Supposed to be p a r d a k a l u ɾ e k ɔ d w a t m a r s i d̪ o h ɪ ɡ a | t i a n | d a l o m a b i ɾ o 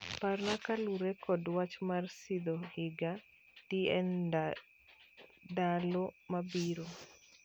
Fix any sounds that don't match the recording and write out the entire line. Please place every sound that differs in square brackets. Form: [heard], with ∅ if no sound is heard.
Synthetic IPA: p a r [n] a k a l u ɾ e k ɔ d w a [t͡ʃ] m a r s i d̪ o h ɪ ɡ a | t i [ɛ] n | d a l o m a b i ɾ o